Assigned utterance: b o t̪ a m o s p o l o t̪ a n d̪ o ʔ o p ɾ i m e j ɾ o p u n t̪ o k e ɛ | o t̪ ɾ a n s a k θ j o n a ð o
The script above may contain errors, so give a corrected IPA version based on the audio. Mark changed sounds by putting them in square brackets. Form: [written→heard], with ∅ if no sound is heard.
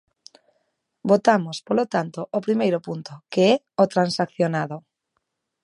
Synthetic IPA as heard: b o t̪ a m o s p o l o t̪ a n [d̪→t̪] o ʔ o p ɾ i m e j ɾ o p u n t̪ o k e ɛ | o t̪ ɾ a n s a k θ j o n a ð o